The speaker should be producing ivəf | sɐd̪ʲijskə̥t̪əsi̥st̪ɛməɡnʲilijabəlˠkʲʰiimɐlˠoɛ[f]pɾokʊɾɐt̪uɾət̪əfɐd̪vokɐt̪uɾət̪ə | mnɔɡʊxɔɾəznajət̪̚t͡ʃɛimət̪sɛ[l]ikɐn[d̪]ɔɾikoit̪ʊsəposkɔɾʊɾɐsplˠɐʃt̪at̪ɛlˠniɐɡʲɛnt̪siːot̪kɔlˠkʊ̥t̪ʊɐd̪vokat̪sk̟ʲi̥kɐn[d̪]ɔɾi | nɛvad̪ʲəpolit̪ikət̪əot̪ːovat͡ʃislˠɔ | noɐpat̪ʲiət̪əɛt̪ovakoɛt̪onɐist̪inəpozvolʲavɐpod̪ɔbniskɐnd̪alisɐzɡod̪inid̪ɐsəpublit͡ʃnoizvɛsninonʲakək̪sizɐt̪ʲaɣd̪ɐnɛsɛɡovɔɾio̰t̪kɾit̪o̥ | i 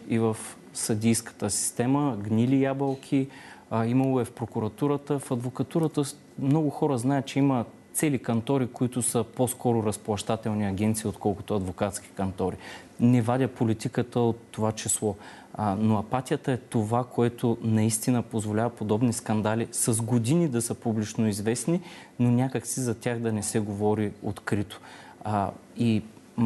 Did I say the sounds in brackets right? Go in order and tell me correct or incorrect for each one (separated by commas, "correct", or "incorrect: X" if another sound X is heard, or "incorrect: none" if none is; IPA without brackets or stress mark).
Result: correct, correct, incorrect: t̪, incorrect: t̪